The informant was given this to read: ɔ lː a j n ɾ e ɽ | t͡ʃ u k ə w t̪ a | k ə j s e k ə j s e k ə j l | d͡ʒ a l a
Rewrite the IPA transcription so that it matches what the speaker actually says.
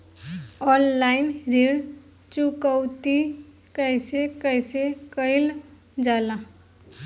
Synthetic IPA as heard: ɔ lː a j n ɾ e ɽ | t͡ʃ u k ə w t̪ i | k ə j s e k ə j s e k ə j l | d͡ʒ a l a

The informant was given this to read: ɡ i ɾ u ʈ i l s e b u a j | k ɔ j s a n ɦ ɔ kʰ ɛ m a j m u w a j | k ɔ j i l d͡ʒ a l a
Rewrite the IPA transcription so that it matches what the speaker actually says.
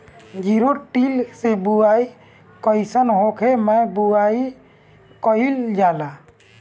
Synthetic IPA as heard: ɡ i ɾ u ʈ i l s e b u a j | k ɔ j s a n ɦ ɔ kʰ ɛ m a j b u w a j | k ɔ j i l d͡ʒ a l a

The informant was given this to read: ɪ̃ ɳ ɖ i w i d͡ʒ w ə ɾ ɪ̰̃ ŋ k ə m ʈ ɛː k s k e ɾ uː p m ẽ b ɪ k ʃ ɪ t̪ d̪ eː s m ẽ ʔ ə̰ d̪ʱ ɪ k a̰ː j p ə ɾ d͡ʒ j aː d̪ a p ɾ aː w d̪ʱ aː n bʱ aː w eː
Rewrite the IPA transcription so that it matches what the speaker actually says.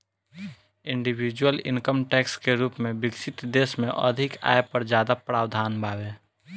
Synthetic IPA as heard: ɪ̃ ɳ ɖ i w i d͡ʒ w ə l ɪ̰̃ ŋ k ə m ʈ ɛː k s k e ɾ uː p m ẽ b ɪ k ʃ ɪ t̪ d̪ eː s m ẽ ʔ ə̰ d̪ʱ ɪ k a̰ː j p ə ɾ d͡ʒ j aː d̪ a p ɾ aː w d̪ʱ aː n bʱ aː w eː

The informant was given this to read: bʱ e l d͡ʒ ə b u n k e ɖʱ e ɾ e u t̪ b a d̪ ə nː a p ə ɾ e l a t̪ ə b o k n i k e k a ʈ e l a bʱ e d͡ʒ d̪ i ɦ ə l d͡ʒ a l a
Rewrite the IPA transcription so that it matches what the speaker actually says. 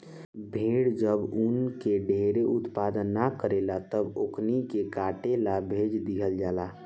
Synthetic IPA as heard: bʱ e ɽ d͡ʒ ə b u n k e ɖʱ e ɾ e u t̪ p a d̪ ə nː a k ə ɾ e l a t̪ ə b o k n i k e k a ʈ e l a bʱ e d͡ʒ d̪ i ɦ ə l d͡ʒ a l a

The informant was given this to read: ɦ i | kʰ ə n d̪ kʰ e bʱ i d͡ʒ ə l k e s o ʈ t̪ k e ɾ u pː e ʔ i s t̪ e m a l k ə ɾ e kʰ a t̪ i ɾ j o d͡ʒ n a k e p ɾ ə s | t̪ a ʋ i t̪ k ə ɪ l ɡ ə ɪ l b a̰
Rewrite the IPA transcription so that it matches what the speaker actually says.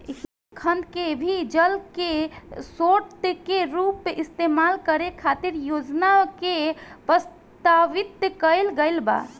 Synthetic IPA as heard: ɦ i | kʰ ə n d̪ k e bʱ i d͡ʒ ə l k e s o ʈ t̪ k e ɾ u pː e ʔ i s t̪ e m a l k ə ɾ e kʰ a t̪ i ɾ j o d͡ʒ n a k e p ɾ ə s | t̪ a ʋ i t̪ k ə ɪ l ɡ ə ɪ l b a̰

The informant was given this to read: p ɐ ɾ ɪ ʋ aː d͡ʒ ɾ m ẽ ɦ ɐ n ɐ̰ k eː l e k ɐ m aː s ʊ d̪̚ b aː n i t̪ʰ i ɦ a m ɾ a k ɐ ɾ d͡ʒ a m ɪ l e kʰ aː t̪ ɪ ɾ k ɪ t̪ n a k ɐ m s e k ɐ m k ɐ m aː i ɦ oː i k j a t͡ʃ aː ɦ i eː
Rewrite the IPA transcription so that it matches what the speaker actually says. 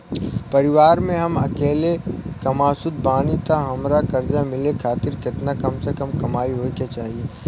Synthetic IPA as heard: p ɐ ɾ ɪ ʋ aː ɾ m ẽ ɦ ɐ m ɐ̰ k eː l e k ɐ m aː s ʊ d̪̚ b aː n i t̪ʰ a ɦ ɐ m ɾ a k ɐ ɾ d͡ʒ a m ɪ l e kʰ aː t̪ ɪ ɾ k ɪ t̪ n a k ɐ m s e k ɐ m k ɐ m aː i ɦ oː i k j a t͡ʃ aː ɦ i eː

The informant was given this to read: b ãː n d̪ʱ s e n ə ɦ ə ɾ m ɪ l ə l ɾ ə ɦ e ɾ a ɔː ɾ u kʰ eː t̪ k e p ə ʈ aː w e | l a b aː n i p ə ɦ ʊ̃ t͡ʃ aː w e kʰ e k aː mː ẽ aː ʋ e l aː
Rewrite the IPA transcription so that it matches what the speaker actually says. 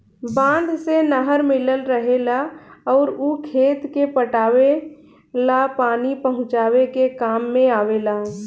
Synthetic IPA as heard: b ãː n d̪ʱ s e n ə ɦ ə ɾ m ɪ l ə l ɾ ə ɦ e l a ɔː ɾ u kʰ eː t̪ k e p ə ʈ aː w e | l a p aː n i p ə ɦ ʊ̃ t͡ʃ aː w e k e k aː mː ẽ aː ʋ e l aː

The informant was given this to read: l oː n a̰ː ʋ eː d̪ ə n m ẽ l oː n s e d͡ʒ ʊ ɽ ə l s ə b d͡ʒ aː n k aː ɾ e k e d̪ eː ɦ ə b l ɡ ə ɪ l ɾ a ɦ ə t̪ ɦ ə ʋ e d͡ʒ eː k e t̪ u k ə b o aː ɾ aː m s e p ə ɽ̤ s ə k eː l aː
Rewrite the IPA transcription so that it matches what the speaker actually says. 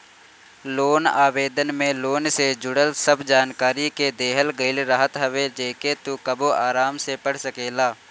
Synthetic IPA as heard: l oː n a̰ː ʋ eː d̪ ə n m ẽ l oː n s e d͡ʒ ʊ ɽ ə l s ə b d͡ʒ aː n k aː ɾ i k e d̪ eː ɦ ə l ɡ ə ɪ l ɾ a ɦ ə t̪ ɦ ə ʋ e d͡ʒ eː k e t̪ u k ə b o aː ɾ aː m s e p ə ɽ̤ s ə k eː l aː

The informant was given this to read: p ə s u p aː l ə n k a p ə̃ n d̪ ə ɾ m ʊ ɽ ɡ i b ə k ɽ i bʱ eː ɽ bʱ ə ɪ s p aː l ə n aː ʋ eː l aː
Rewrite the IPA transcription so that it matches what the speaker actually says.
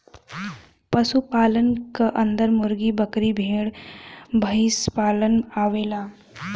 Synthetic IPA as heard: p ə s u p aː l ə n k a ʔ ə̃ n d̪ ə ɾ m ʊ ɾ ɡ i b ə k ɾ i bʱ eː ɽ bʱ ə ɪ s p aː l ə n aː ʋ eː l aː

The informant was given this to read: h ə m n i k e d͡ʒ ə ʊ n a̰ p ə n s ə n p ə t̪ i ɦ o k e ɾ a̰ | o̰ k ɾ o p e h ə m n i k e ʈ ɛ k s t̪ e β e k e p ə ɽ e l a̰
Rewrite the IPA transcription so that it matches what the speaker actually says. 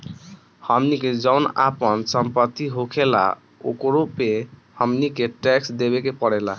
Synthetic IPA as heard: h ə m n i k e d͡ʒ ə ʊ n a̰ p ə n s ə m p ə t̪ i ɦ o kʰ e l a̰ | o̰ k ɾ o p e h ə m n i k e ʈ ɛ k s d̪ e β e k e p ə ɽ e l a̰

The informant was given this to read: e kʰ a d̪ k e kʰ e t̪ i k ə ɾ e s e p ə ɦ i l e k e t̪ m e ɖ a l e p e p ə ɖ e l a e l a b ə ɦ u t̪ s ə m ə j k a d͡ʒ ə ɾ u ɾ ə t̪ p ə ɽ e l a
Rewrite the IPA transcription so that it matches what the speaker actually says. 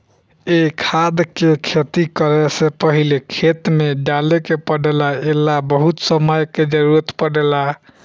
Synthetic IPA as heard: e kʰ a d̪ k e kʰ e t̪ i k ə ɾ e s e p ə ɦ i l e kʰ e t̪ m e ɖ a l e k e p ə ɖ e l a e l a b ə ɦ u t̪ s ə m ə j k e d͡ʒ ə ɾ u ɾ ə t̪ p ə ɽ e l a

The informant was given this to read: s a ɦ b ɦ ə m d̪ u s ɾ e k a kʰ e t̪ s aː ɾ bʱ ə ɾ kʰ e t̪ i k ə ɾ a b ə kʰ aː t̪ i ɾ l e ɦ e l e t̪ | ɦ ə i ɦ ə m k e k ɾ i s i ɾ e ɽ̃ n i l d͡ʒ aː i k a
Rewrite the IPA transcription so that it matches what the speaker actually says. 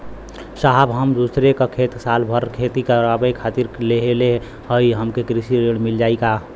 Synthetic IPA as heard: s a ɦ b ɦ ə m d̪ u s ɾ e k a kʰ e t̪ s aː l bʱ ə ɾ kʰ e t̪ i k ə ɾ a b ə kʰ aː t̪ i ɾ l e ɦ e l e | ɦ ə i ɦ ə m k e k ɾ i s i ɾ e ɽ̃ m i l d͡ʒ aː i k a

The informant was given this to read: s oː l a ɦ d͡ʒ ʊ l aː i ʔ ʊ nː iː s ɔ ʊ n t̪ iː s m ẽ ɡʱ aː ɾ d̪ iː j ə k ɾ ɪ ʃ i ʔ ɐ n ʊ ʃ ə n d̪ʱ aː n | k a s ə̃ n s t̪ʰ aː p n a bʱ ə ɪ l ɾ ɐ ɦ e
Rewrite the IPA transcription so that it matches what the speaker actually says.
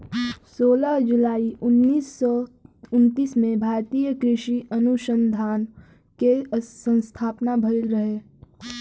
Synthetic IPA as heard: s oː l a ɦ d͡ʒ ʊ l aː i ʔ ʊ nː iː s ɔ ʊ n t̪ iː s m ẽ bʱ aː ɾ t̪ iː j ə k ɾ ɪ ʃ i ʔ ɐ n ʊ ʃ ə n d̪ʱ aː n | k e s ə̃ n s t̪ʰ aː p n a bʱ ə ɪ l ɾ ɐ ɦ e

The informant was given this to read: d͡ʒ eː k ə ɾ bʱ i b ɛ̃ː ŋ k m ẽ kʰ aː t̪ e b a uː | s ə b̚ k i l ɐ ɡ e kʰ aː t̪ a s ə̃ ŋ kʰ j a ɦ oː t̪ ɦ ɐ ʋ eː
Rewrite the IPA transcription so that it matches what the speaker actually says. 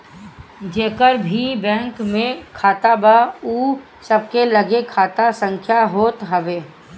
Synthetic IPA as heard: d͡ʒ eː k ə ɾ bʱ i b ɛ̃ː ŋ k m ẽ kʰ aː t̪ a b a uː | s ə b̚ k e l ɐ ɡ e kʰ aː t̪ a s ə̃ ŋ kʰ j a ɦ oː t̪ ɦ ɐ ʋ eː

